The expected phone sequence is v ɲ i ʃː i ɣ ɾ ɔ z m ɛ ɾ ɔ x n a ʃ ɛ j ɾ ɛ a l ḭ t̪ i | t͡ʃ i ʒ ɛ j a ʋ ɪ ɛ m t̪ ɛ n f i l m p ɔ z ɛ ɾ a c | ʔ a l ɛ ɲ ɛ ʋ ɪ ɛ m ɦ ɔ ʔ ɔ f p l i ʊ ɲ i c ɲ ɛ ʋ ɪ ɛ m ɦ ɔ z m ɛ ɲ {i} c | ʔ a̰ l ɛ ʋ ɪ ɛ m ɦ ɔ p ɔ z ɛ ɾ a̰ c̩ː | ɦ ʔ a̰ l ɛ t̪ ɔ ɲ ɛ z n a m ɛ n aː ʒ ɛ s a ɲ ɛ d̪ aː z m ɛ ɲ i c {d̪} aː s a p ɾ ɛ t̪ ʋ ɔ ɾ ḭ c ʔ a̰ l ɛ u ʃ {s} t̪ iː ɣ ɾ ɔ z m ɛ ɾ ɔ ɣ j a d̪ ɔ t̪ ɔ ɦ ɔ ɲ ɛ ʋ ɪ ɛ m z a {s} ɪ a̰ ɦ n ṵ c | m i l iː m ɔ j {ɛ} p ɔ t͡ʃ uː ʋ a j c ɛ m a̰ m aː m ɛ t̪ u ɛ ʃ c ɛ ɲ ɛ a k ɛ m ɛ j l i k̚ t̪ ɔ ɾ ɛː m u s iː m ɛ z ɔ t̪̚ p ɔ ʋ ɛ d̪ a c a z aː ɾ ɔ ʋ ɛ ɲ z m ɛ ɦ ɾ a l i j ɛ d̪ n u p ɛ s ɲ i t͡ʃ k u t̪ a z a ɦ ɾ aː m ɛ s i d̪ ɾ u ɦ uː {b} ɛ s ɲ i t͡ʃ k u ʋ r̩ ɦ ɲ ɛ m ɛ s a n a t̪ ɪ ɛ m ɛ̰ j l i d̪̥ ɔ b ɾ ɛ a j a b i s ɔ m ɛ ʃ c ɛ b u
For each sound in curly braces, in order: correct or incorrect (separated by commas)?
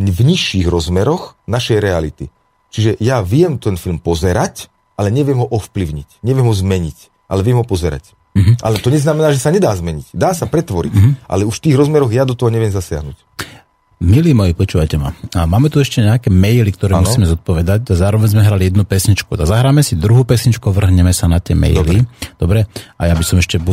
correct, correct, incorrect, correct, incorrect, incorrect